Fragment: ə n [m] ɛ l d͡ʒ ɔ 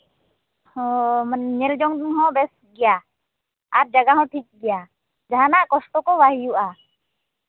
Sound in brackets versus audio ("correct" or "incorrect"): incorrect